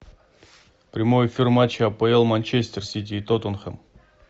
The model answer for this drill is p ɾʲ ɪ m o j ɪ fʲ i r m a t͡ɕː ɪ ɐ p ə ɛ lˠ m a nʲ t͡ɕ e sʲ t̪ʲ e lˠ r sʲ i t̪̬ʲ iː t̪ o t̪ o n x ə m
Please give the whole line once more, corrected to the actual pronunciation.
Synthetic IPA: p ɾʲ ɪ m o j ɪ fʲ i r m a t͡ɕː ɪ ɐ p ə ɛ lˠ m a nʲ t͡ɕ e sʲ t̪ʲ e r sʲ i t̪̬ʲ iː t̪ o t̪ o n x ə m